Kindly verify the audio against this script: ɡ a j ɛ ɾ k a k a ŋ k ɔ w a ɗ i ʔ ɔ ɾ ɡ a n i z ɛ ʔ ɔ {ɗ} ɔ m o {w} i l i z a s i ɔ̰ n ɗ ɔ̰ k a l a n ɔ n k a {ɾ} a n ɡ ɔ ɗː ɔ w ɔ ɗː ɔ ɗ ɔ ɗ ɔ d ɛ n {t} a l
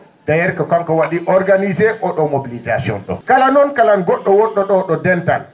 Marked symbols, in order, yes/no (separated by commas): yes, no, no, yes